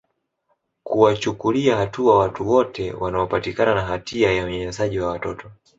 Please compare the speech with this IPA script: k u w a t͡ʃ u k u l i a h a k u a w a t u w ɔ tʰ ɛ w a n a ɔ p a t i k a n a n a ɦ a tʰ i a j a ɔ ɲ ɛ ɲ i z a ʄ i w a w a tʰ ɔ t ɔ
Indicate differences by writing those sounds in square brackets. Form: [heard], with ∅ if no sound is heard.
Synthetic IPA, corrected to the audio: k u w a t͡ʃ u k u l i a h a [t] u a w a t u w ɔ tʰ ɛ w a n a ɔ p a t i k a n a n a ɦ a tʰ i a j a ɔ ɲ ɛ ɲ [ɛ] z a ʄ i w a w a [t] ɔ t ɔ